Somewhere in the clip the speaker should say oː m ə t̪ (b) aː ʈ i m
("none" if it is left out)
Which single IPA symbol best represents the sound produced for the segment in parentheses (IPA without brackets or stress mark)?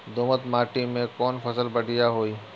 m